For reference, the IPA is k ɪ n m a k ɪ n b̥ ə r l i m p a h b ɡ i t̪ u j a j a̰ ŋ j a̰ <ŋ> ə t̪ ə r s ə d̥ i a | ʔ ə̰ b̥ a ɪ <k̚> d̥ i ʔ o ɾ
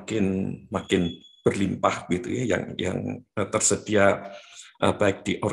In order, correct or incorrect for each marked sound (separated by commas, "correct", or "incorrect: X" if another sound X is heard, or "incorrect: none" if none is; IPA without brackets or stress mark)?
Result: correct, correct